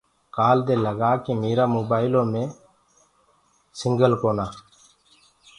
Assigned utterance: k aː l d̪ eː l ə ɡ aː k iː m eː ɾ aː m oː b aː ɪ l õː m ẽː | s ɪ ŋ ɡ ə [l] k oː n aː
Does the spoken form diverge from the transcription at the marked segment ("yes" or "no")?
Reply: no